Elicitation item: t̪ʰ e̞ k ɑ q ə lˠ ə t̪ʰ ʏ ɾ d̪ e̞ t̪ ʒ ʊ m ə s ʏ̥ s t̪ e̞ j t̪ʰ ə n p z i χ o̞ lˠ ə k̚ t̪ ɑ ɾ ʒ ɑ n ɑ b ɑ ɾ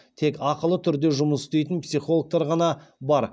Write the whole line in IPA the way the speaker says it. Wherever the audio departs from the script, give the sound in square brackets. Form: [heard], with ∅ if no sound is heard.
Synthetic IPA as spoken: t̪ʰ e̞ k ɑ q ə lˠ ə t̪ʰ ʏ ɾ d̪ e̞ [∅] ʒ ʊ m ə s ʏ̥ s t̪ e̞ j [t̪] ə n p [s] i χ o̞ lˠ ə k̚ t̪ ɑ ɾ [ʁ] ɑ n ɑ b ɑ ɾ